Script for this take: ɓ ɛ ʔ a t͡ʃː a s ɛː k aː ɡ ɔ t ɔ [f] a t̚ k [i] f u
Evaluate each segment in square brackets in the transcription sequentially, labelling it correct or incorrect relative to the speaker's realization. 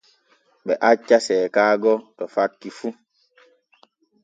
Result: correct, correct

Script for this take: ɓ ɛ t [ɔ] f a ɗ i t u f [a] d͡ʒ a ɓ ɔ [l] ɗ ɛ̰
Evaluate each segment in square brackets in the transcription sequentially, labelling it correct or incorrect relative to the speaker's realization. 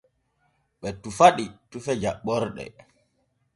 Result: incorrect: u, incorrect: ɛ, incorrect: ɾ

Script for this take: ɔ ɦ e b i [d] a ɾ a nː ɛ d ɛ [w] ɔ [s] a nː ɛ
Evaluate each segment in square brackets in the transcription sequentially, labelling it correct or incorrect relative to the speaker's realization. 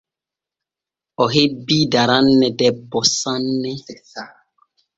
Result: correct, incorrect: b, correct

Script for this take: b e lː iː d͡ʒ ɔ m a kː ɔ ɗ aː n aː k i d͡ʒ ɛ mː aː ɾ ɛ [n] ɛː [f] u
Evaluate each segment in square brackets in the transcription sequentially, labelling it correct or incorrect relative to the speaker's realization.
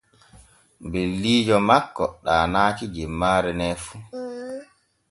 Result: correct, correct

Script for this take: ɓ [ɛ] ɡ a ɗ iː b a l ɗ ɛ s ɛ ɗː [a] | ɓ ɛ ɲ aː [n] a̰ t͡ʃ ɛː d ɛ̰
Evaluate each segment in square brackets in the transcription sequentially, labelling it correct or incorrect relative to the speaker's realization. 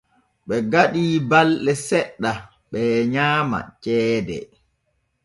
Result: correct, correct, incorrect: m

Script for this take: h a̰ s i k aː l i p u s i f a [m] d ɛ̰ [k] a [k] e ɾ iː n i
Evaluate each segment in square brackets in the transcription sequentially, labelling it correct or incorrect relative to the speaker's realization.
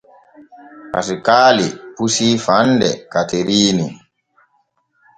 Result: incorrect: n, correct, incorrect: t

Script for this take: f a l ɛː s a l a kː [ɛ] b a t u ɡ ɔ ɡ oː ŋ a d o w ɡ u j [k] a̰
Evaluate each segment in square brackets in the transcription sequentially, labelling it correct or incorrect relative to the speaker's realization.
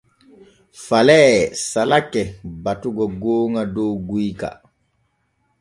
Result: correct, correct

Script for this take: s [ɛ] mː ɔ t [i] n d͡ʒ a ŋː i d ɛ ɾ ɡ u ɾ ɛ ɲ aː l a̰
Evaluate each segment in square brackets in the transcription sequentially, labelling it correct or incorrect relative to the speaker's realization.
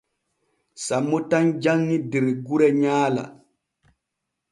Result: incorrect: a, incorrect: a

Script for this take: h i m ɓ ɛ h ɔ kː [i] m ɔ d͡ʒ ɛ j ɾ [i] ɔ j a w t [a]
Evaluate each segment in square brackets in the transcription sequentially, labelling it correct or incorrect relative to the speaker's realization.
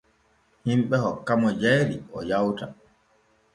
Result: incorrect: a, correct, correct

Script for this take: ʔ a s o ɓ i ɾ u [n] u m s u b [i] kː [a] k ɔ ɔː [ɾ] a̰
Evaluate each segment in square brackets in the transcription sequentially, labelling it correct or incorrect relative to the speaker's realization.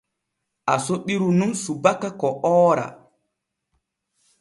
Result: correct, incorrect: a, correct, correct

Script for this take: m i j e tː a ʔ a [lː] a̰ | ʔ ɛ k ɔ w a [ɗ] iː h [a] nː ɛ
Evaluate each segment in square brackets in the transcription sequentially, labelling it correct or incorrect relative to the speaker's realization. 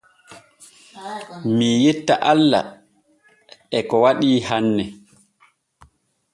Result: correct, correct, correct

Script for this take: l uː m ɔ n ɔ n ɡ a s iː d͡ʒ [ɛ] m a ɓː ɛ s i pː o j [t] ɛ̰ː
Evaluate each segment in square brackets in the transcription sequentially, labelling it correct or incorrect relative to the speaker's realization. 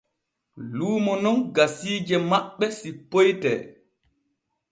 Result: correct, correct

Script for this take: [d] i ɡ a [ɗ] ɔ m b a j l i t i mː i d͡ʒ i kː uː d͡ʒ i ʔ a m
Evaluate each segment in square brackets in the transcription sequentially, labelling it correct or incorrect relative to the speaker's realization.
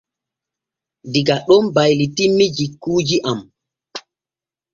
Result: correct, correct

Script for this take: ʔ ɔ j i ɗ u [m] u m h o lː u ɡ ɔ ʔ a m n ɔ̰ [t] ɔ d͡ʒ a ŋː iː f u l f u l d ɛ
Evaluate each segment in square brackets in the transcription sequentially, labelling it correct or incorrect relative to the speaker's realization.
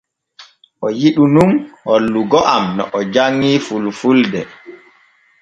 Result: incorrect: n, incorrect: ʔ

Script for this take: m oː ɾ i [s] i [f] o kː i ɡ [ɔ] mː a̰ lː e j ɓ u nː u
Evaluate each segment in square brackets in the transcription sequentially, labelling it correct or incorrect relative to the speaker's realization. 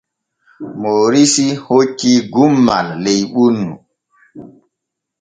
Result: correct, incorrect: h, incorrect: u

